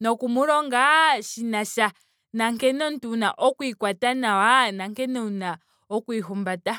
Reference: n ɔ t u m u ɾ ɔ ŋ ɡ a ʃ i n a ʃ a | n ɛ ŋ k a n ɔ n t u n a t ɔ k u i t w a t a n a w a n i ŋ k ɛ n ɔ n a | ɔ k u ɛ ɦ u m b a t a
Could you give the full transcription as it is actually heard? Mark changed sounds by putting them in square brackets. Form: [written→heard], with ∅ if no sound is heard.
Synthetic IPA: n ɔ [t→k] u m u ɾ ɔ ŋ ɡ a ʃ i n a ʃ a | n [ɛ→a] ŋ k [a→ɛ] n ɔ n t u n a [t→ʔ] ɔ k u i [t→k] w a t a n a w a n [i→a] ŋ k ɛ n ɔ n a | ɔ k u [ɛ→i] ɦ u m b a t a